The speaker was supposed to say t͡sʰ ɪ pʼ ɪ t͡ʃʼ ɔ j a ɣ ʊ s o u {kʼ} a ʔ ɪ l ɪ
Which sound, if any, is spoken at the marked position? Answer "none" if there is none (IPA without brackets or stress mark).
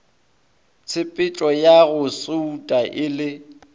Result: tʼ